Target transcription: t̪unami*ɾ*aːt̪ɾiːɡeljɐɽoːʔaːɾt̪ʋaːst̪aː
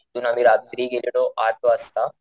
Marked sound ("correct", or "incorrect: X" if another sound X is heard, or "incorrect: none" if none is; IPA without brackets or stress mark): correct